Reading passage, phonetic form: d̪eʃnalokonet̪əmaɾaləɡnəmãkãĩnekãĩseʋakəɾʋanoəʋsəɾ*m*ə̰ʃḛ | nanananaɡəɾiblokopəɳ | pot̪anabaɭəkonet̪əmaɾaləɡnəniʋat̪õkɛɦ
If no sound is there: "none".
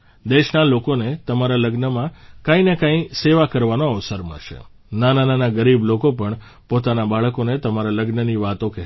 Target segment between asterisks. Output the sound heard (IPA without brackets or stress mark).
m